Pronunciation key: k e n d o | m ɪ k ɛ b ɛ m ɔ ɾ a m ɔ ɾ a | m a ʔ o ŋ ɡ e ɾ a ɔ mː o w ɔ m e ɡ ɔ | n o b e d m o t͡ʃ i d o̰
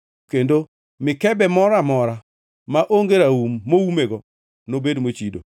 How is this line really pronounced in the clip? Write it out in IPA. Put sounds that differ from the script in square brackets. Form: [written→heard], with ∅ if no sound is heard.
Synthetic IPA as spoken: k e n d o | m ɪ k ɛ b ɛ m ɔ ɾ a m ɔ ɾ a | m a ʔ o ŋ ɡ e ɾ a [ɔ→u] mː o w [ɔ→u] m e ɡ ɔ | n o b e d m o t͡ʃ i d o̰